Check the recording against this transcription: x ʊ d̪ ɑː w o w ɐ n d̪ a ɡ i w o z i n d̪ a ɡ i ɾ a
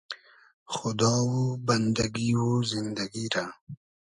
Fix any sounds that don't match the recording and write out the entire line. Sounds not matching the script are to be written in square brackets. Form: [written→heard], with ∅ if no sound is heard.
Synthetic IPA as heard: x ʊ d̪ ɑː w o [w→b] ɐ n d̪ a ɡ i w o z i n d̪ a ɡ i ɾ a